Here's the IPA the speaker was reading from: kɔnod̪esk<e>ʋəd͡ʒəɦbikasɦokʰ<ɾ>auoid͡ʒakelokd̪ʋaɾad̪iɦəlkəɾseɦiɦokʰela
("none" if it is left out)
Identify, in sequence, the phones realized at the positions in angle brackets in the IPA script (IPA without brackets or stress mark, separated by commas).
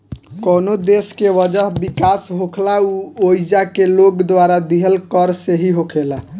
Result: e, l